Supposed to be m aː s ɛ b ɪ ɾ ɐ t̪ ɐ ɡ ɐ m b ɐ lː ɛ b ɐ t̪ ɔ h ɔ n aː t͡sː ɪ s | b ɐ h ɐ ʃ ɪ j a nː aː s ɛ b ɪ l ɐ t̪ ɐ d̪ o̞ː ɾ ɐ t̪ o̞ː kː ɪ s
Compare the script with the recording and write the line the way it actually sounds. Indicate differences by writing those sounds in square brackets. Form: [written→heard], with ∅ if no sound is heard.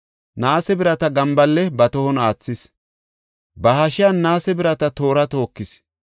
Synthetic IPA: [m→n] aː s ɛ b ɪ ɾ ɐ t̪ ɐ ɡ ɐ m b ɐ lː ɛ b ɐ t̪ ɔ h ɔ n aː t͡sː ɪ s | b ɐ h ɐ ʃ ɪ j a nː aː s ɛ b ɪ [l→ɾ] ɐ t̪ ɐ [d̪→t̪] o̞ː ɾ ɐ t̪ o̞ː kː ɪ s